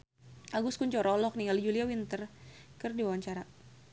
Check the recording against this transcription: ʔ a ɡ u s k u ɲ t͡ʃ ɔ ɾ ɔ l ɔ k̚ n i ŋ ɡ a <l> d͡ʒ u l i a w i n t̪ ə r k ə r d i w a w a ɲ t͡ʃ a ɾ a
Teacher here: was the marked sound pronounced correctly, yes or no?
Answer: yes